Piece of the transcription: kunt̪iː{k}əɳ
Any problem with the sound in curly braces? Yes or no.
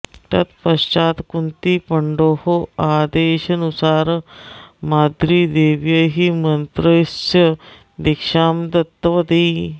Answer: yes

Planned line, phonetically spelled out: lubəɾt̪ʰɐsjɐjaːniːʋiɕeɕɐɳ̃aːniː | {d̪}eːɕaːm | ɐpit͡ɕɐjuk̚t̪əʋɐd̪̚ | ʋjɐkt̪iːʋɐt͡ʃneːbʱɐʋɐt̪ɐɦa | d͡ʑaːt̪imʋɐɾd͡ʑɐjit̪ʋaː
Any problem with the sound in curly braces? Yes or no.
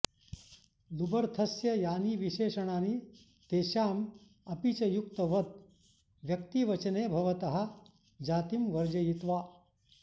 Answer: yes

